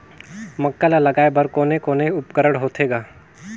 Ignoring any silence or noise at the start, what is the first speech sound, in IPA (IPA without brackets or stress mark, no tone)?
m